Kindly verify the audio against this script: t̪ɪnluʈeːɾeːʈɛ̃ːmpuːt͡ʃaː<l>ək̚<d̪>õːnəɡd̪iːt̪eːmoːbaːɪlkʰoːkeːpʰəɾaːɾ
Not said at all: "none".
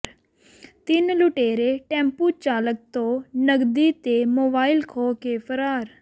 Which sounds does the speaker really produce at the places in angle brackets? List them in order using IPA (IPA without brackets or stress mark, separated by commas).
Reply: l, t̪